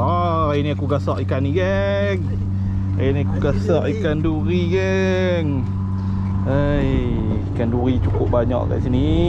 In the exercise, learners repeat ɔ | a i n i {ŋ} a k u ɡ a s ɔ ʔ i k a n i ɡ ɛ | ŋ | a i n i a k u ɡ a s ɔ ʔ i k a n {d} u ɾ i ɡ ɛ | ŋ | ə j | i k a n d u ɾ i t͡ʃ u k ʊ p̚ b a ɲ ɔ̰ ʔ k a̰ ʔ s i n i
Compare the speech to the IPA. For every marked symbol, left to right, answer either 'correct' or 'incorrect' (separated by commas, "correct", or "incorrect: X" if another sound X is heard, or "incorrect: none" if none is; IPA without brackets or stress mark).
incorrect: none, correct